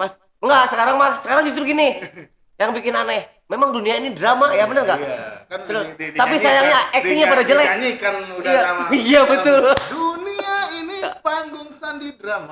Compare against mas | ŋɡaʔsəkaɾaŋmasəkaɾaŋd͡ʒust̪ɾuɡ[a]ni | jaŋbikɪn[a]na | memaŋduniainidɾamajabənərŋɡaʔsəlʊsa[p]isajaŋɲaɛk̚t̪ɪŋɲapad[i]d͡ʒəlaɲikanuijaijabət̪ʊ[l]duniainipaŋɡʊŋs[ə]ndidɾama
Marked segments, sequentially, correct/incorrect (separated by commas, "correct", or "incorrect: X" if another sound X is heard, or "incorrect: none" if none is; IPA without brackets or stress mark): incorrect: i, correct, correct, incorrect: a, correct, incorrect: a